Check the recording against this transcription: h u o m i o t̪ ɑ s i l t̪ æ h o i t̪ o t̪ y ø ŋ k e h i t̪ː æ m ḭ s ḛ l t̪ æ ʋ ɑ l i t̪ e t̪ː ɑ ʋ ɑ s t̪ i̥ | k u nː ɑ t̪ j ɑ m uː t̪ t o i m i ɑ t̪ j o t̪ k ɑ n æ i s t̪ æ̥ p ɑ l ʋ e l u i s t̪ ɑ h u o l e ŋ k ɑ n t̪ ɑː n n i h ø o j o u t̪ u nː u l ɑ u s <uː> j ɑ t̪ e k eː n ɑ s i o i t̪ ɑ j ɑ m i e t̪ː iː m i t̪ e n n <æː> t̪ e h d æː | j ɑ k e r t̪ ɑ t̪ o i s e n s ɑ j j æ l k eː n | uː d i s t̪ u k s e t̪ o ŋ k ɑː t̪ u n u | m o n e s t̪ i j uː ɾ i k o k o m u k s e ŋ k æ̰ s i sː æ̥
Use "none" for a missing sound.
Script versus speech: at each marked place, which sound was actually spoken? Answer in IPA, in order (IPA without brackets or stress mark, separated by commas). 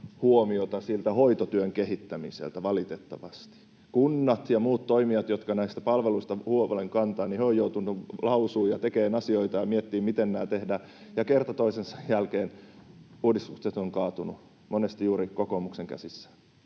uː, æː